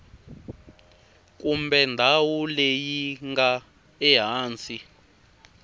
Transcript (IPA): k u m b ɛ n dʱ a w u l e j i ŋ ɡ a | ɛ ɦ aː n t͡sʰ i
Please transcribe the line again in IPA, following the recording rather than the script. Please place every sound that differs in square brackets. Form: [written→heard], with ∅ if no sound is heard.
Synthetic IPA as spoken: k u m b ɛ n dʱ a w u l e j i ŋ ɡ a | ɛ ɦ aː n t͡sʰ i